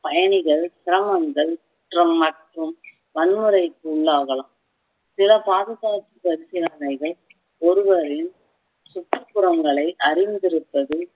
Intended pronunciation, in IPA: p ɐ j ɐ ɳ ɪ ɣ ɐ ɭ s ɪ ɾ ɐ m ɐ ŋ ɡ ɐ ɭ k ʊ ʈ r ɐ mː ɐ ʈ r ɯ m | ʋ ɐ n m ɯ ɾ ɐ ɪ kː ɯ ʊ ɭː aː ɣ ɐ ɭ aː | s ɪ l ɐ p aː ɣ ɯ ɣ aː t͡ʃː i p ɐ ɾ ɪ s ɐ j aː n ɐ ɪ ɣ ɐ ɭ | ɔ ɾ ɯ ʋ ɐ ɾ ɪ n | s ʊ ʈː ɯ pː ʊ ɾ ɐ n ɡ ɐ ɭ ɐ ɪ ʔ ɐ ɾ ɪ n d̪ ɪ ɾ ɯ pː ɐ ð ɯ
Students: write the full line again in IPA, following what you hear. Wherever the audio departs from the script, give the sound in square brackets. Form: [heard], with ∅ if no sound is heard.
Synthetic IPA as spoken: p ɐ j ɐ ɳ ɪ ɣ ɐ ɭ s ɪ ɾ ɐ m ɐ ŋ ɡ ɐ ɭ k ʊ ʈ r ɐ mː ɐ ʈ r ɯ m | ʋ ɐ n m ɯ ɾ ɐ ɪ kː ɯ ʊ ɭː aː ɣ ɐ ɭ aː | s ɪ l ɐ p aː [ð] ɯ ɣ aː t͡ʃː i p ɐ ɾ ɪ s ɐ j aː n ɐ ɪ ɣ ɐ ɭ | ɔ ɾ ɯ ʋ ɐ ɾ ɪ n | s ʊ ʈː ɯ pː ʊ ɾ ɐ [ŋ] ɡ ɐ ɭ ɐ ɪ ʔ ɐ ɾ ɪ n d̪ ɪ ɾ ɯ pː ɐ ð ɯ